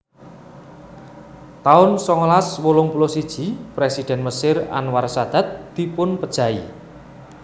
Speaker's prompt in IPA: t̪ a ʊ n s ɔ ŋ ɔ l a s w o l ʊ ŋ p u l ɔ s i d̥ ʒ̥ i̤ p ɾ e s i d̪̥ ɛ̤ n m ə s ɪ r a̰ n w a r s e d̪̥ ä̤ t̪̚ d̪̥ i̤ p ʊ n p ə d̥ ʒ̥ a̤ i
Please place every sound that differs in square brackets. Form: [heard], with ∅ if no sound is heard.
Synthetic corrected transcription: t̪ a ʊ n s ɔ ŋ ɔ l a s w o l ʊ ŋ p u l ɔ s i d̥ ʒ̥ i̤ p ɾ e s i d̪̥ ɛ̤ n m ə s ɪ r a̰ n w a r s [a] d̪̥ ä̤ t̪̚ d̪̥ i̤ p ʊ n p ə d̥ ʒ̥ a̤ i